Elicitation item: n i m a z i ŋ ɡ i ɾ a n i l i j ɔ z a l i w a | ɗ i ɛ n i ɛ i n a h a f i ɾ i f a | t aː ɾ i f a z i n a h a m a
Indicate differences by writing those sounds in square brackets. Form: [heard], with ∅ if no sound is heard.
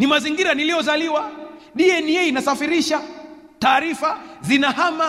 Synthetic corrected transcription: n i m a z i ŋ ɡ i ɾ a n i l i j ɔ z a l i w a | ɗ i ɛ n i ɛ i n a [s] a f i ɾ i [ʃ] a | t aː ɾ i f a z i n a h a m a